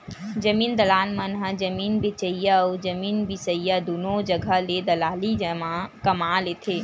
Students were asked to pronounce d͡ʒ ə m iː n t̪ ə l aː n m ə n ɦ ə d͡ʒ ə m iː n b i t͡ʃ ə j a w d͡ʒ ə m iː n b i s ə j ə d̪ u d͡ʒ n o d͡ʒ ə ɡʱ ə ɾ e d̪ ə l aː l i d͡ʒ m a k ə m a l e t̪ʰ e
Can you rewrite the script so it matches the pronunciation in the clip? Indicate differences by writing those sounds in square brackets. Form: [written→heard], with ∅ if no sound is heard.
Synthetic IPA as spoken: d͡ʒ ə m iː n [t̪→d̪] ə l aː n m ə n ɦ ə d͡ʒ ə m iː n b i t͡ʃ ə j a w d͡ʒ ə m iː n b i s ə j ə d̪ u [d͡ʒ→∅] n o d͡ʒ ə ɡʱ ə [ɾ→l] e d̪ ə l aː l i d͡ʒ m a k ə m a l e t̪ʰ e